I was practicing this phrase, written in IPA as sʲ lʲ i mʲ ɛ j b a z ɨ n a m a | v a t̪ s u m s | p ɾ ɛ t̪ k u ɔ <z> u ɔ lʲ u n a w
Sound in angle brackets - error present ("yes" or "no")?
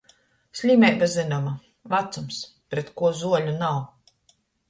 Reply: no